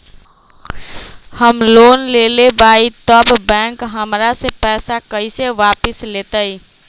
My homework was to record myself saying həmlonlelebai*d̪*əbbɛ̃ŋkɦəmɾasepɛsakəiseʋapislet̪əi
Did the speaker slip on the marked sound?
yes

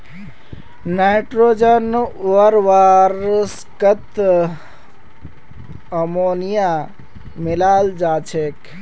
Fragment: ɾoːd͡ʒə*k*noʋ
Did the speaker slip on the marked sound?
yes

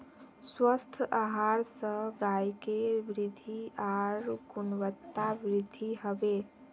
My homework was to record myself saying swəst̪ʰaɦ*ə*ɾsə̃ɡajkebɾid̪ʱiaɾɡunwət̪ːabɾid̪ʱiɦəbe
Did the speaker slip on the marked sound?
yes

